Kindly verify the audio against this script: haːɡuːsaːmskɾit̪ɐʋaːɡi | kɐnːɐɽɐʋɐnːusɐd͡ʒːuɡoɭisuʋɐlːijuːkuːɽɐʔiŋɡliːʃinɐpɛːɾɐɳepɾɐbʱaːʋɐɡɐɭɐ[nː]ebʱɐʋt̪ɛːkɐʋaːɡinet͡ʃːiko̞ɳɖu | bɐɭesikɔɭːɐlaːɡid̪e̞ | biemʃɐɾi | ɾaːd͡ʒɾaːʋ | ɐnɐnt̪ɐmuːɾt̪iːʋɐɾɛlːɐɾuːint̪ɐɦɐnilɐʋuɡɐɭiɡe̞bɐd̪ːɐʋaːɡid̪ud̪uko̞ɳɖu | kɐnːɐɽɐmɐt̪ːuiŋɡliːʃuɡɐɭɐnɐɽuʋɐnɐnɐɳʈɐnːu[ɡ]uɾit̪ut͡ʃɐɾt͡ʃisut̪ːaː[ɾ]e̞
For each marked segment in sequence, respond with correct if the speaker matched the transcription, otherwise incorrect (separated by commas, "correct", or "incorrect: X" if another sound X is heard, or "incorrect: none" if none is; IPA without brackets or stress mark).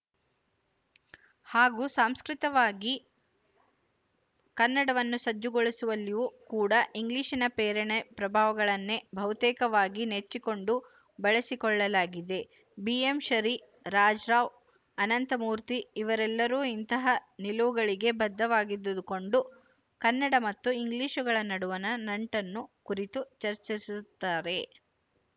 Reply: correct, incorrect: k, correct